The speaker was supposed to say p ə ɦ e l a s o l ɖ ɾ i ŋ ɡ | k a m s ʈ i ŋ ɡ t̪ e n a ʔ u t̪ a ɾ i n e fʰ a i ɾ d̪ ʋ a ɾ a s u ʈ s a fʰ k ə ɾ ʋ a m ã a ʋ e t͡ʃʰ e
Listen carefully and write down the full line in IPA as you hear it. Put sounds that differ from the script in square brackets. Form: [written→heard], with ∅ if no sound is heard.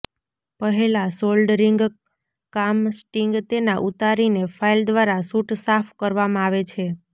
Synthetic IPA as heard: p ə ɦ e l a s o l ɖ ɾ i ŋ ɡ | k a m s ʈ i ŋ ɡ t̪ e n a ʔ u t̪ a ɾ i n e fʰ a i [ɾ→l] d̪ ʋ a ɾ a s u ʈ s a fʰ k ə ɾ ʋ a m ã a ʋ e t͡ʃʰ e